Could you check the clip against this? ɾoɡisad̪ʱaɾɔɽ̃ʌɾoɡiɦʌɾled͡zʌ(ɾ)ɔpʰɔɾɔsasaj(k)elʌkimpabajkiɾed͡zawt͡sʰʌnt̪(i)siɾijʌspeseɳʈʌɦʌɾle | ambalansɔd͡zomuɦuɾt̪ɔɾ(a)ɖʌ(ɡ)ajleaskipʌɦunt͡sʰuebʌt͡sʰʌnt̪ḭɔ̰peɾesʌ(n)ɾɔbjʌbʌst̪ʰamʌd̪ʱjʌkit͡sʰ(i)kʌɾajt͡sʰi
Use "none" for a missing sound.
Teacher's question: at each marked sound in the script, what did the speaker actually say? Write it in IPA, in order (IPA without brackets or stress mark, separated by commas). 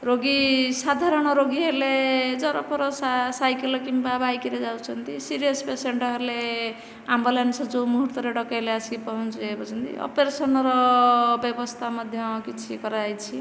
ɾ, k, i, e, k, n, i